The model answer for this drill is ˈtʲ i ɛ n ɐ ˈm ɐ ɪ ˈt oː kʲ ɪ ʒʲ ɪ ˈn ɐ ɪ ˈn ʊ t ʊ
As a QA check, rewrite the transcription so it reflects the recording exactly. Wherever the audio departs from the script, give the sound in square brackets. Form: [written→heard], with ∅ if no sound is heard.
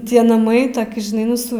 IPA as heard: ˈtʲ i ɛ n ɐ ˈm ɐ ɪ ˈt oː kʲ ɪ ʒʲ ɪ ˈn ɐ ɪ ˈn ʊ [t→s] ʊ